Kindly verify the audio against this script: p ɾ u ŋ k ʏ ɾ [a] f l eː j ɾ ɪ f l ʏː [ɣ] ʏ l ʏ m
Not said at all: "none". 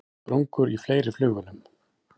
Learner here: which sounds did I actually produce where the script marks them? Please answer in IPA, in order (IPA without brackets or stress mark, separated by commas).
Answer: i, ɣ